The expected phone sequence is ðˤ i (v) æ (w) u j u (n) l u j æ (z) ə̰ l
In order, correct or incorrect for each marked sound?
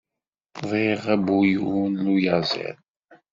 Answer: incorrect: ʁ, incorrect: b, correct, correct

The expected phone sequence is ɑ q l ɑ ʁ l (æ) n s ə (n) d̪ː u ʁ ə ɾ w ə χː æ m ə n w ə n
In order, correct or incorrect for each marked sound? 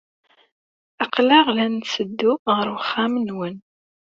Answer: correct, incorrect: none

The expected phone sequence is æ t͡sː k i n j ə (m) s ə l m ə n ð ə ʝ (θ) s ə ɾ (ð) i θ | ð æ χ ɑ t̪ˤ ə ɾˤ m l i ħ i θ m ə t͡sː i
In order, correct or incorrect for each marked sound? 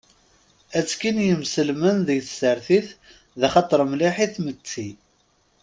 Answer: correct, correct, incorrect: θ

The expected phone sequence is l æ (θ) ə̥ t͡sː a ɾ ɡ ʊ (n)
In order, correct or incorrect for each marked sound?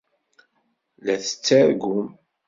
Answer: correct, incorrect: m

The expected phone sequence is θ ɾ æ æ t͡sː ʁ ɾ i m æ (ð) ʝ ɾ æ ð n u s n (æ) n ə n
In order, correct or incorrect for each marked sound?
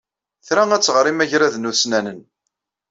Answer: incorrect: none, correct

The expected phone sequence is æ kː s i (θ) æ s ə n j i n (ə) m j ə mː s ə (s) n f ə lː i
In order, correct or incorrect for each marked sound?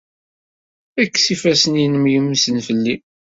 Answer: incorrect: f, correct, incorrect: none

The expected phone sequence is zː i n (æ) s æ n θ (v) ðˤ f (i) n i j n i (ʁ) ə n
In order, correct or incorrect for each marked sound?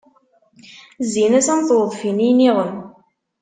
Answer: correct, incorrect: w, correct, correct

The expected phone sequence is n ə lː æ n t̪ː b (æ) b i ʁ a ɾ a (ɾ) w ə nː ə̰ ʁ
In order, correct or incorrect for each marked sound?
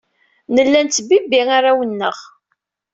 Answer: incorrect: i, incorrect: none

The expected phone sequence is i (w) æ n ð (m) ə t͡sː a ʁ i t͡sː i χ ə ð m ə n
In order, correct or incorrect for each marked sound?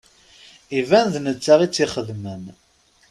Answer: incorrect: v, incorrect: n

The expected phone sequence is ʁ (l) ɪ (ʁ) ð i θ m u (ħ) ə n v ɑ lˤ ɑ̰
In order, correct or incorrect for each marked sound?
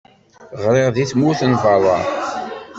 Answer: incorrect: ɾ, correct, incorrect: θ

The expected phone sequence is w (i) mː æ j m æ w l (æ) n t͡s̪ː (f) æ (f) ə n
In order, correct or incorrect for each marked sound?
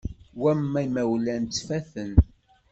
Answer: incorrect: æ, correct, correct, incorrect: θ

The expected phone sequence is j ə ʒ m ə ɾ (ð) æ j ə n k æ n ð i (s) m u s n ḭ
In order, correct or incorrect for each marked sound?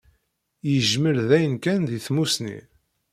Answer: correct, incorrect: θ

